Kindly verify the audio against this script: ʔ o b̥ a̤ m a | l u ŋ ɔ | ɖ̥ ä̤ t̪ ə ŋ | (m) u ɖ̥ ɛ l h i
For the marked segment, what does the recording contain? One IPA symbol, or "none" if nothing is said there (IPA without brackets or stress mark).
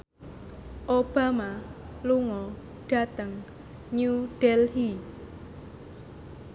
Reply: ɲ